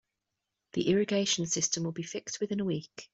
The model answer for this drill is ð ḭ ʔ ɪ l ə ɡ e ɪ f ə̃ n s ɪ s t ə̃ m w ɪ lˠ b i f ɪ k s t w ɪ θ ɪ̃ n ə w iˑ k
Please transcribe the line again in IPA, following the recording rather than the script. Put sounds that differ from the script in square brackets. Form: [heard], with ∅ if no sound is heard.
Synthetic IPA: ð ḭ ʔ ɪ [ɹ] ə ɡ e ɪ [ʃ] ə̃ n s ɪ s t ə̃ m w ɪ lˠ b i f ɪ k s t w ɪ [ð] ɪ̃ n ə w iˑ k